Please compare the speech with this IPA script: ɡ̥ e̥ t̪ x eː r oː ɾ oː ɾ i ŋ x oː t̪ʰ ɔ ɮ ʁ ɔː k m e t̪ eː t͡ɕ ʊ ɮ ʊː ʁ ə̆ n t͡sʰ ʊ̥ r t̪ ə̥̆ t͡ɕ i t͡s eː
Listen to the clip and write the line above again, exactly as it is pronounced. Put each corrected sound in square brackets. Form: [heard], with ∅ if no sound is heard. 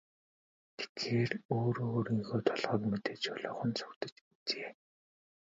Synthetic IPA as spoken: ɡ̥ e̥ t̪ x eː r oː ɾ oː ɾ i ŋ x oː t̪ʰ ɔ ɮ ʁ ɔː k m e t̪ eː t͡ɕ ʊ ɮ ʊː [χ] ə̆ n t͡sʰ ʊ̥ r t̪ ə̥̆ t͡ɕ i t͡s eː